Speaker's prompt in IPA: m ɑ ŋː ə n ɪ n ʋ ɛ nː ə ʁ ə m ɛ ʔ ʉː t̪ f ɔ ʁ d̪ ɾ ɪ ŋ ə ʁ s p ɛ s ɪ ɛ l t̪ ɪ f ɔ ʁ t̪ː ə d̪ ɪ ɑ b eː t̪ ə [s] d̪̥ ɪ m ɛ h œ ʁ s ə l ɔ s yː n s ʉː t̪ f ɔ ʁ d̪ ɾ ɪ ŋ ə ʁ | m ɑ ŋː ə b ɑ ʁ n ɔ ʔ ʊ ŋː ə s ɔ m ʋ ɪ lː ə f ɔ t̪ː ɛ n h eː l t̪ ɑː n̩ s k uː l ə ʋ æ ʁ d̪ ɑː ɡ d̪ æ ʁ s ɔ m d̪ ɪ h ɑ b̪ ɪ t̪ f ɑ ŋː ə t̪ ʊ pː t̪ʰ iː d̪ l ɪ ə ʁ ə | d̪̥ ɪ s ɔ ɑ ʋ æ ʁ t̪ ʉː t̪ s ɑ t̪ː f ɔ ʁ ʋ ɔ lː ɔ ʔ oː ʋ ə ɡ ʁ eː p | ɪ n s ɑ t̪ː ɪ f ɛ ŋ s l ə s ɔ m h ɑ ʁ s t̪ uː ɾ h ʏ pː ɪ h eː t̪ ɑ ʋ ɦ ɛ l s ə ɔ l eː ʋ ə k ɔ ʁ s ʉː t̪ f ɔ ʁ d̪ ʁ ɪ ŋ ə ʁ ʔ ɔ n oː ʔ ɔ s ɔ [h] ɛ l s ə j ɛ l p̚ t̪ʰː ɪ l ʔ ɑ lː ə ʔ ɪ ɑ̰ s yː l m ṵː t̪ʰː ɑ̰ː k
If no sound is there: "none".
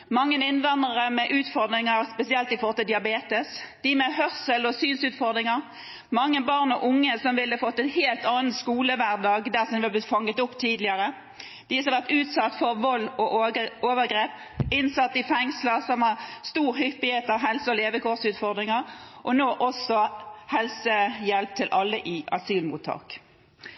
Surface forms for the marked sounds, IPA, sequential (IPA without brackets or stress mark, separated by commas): s, h